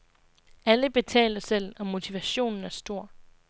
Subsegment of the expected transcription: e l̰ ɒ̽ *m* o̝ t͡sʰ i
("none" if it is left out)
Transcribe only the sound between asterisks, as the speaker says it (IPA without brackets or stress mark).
m